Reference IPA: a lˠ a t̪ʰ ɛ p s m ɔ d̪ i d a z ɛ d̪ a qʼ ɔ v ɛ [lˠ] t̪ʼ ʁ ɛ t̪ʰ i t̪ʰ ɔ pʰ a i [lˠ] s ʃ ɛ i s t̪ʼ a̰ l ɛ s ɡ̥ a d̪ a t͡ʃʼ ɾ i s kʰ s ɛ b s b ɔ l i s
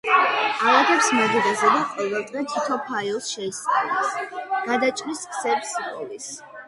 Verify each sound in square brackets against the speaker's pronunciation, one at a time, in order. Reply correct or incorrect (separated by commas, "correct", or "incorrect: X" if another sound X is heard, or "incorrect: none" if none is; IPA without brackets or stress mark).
correct, correct